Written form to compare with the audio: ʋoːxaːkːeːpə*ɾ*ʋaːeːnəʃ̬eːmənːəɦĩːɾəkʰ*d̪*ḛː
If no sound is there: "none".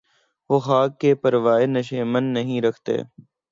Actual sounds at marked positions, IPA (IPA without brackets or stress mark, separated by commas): ɾ, t̪